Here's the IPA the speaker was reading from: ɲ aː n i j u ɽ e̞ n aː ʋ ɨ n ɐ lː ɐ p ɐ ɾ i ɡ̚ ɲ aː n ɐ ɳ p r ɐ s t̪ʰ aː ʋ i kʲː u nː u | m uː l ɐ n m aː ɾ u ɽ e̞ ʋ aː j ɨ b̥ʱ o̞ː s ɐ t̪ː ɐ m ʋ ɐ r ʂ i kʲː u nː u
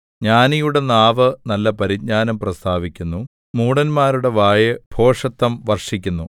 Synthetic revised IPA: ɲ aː n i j u ɽ e̞ n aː ʋ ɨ n ɐ lː ɐ p ɐ ɾ i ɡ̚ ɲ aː n ɐ m p r ɐ s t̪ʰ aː ʋ i kʲː u nː u | m uː ɽ ɐ n m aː ɾ u ɽ e̞ ʋ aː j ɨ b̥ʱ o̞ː ʂ ɐ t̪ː ɐ m ʋ ɐ r ʂ i kʲː u nː u